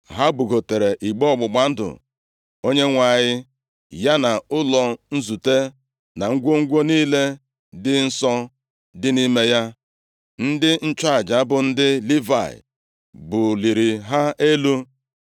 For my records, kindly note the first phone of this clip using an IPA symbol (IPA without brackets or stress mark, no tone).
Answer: ɦ